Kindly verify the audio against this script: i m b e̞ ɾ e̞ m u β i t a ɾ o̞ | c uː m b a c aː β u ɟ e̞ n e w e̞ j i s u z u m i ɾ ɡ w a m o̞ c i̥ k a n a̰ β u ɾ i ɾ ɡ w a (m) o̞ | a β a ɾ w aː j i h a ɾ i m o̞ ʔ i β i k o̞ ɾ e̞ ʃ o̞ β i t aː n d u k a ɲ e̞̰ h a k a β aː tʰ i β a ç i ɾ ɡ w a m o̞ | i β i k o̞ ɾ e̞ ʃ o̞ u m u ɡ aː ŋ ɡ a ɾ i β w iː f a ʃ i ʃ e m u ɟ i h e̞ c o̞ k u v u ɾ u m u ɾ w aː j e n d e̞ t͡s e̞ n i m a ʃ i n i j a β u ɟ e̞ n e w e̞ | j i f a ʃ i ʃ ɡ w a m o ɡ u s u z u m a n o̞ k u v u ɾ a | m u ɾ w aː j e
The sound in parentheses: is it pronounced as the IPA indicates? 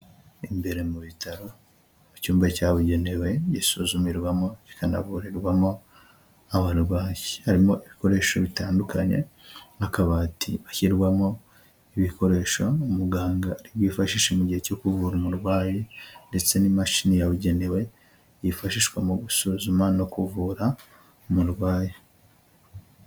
yes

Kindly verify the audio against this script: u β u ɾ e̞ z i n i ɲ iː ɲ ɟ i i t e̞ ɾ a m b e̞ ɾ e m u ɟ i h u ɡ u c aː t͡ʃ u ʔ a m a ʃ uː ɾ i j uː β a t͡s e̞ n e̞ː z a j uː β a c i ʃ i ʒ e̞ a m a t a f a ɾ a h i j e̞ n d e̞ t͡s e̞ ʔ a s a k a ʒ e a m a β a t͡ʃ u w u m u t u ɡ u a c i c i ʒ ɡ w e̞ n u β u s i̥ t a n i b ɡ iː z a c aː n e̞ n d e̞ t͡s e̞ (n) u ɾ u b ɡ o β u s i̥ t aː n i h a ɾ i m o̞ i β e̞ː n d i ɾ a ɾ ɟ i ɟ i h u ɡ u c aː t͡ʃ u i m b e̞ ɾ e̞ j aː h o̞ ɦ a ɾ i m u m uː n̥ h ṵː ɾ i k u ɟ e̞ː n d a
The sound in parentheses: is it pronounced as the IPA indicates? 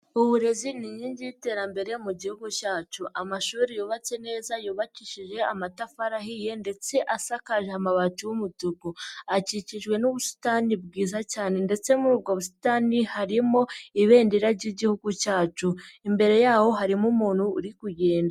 no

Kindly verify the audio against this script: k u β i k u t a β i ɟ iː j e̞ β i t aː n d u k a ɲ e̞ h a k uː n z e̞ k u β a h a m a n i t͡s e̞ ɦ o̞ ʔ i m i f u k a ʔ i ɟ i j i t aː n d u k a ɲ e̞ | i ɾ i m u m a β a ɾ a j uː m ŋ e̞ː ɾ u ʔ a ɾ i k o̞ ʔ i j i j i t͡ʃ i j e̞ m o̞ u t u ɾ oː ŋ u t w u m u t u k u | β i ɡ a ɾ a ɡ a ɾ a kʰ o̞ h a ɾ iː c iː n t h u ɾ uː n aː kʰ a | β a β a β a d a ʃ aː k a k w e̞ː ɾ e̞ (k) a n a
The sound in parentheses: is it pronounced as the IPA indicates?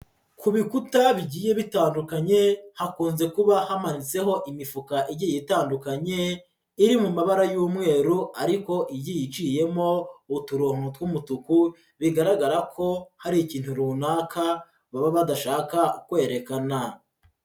yes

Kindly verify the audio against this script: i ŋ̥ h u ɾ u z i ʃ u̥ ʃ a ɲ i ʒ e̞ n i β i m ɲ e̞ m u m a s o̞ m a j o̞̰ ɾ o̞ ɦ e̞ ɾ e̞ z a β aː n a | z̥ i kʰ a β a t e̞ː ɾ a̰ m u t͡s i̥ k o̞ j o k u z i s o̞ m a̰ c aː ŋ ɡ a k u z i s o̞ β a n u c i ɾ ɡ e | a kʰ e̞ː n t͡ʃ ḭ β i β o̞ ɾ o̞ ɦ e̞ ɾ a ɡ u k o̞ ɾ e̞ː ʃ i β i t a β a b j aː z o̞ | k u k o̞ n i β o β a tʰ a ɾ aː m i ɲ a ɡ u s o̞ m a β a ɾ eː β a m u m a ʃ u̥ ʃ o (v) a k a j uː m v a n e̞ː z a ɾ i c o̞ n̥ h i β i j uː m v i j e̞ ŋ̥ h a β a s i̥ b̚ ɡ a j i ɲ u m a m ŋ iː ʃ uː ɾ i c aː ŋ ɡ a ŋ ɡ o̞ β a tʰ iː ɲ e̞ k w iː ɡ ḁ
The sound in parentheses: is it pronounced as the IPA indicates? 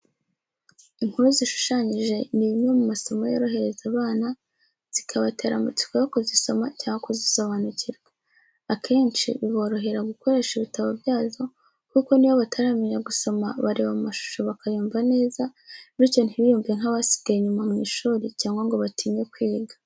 no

